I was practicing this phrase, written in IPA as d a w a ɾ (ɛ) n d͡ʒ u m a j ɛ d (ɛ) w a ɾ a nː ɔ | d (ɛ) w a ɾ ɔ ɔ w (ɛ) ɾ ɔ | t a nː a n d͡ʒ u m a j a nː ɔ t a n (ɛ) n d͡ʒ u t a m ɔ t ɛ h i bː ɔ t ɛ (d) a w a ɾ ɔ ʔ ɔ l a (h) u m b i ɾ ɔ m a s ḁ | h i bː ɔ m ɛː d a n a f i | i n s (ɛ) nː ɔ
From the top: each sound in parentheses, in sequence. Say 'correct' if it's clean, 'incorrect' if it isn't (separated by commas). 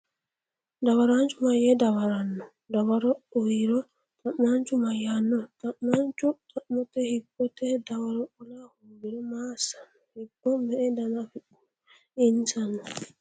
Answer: incorrect, incorrect, incorrect, incorrect, incorrect, correct, correct, incorrect